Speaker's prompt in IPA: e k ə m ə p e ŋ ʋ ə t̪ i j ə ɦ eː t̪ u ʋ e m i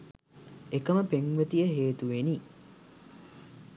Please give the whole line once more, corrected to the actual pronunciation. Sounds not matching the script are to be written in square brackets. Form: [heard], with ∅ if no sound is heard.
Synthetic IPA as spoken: e k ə m ə p e ŋ ʋ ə t̪ i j ə ɦ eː t̪ u ʋ e [n] i